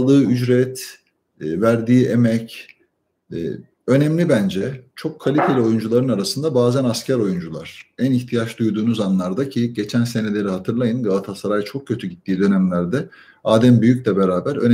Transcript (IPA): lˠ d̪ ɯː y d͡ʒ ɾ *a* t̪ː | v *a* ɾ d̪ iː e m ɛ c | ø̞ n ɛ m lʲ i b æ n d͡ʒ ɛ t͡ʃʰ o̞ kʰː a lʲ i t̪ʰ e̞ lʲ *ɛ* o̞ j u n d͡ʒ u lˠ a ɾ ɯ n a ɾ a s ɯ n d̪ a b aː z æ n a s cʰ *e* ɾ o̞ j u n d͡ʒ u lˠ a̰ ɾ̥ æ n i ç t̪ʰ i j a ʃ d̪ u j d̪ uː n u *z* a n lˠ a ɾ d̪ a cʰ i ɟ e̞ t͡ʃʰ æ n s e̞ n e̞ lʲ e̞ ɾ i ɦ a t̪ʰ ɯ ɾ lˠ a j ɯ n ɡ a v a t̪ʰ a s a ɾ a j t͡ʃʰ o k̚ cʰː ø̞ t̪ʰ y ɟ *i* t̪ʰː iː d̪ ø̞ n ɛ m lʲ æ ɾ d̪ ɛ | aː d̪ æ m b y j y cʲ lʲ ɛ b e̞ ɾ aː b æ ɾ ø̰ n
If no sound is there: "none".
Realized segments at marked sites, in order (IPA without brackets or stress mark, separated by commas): ɛ, æ, i, æ, z, i